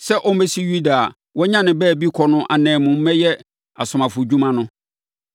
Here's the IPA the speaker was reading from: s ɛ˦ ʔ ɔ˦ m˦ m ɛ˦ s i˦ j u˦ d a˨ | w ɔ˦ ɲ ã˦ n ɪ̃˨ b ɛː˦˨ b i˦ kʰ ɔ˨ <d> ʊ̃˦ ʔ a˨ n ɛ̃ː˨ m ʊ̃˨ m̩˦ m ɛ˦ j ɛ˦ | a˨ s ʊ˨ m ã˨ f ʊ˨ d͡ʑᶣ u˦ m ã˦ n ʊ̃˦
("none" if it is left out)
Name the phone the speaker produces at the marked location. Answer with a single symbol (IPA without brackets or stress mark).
n